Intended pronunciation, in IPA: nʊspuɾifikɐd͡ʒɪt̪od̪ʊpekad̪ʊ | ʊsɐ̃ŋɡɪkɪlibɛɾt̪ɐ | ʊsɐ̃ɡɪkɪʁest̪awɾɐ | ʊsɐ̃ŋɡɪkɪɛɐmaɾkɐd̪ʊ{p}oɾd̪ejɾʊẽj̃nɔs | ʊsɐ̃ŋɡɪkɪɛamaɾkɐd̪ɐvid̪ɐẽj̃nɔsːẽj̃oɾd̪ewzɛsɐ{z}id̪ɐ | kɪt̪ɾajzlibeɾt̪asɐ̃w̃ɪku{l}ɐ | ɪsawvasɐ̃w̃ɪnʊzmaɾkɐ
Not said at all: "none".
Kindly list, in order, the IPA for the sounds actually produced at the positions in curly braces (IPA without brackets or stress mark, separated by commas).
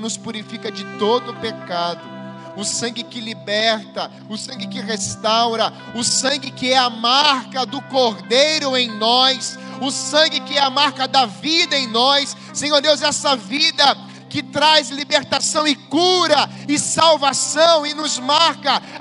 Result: k, v, ɾ